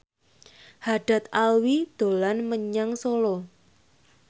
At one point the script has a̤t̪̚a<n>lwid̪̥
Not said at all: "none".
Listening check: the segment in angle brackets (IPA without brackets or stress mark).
none